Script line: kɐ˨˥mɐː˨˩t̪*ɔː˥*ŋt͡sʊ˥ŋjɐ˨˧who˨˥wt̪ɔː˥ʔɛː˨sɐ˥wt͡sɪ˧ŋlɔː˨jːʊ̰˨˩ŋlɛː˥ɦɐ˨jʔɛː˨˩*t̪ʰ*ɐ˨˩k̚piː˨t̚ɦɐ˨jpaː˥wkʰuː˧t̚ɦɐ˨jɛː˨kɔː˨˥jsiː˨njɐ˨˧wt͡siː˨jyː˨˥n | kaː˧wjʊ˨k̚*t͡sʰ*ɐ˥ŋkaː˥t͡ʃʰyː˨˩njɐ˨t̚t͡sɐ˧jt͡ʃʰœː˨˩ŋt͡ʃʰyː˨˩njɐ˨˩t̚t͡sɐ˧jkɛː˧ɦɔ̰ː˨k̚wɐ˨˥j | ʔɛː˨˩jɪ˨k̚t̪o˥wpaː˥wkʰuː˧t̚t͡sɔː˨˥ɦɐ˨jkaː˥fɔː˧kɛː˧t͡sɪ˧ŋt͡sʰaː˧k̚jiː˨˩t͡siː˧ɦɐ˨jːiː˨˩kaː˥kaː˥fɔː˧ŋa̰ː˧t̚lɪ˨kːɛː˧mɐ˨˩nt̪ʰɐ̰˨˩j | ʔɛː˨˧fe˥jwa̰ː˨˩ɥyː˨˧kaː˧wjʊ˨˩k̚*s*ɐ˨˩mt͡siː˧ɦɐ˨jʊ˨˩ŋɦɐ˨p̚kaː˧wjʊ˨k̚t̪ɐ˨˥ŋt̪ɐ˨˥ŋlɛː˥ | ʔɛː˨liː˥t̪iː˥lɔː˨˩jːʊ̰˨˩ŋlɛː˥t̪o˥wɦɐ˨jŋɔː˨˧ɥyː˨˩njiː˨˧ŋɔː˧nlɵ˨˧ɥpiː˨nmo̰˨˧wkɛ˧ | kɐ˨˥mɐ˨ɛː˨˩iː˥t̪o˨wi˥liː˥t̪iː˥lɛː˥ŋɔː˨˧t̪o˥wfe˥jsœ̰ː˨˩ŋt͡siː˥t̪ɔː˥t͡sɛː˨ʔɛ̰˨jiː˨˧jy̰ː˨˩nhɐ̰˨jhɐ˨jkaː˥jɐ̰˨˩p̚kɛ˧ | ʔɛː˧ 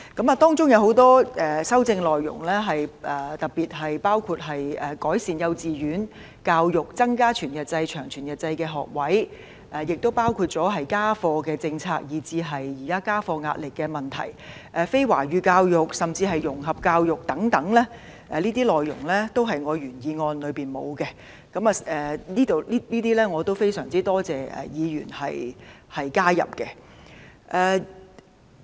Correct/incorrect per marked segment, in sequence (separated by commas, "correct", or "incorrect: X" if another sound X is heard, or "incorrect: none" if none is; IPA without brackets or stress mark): correct, incorrect: t̪, incorrect: t͡s, correct